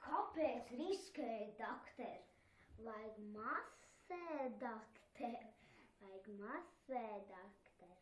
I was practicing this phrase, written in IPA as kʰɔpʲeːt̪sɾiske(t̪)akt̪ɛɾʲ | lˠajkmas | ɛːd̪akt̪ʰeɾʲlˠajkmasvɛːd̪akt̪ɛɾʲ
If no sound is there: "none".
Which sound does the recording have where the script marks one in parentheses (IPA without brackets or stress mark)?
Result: d̪